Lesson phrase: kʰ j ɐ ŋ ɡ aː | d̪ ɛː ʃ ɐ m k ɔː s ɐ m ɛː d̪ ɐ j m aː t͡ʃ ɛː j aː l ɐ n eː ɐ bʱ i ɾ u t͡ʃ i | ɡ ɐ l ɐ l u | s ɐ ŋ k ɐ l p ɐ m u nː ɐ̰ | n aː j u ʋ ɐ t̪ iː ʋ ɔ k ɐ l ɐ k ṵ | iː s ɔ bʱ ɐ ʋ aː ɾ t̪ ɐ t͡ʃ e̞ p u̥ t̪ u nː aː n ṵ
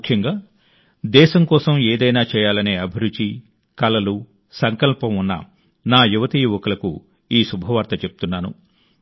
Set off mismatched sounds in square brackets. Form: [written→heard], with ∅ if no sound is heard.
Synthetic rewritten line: kʰ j ɐ ŋ ɡ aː | d̪ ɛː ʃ ɐ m k ɔː s ɐ m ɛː d̪ ɐ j [m→n] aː t͡ʃ ɛː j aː l ɐ n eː ɐ bʱ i ɾ u t͡ʃ i | [ɡ→k] ɐ l ɐ l u | s ɐ ŋ k ɐ l p ɐ m u nː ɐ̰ | n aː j u ʋ ɐ t̪ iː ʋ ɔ k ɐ l ɐ k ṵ | iː s [ɔ→u] bʱ ɐ ʋ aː ɾ t̪ ɐ t͡ʃ e̞ p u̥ t̪ u nː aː n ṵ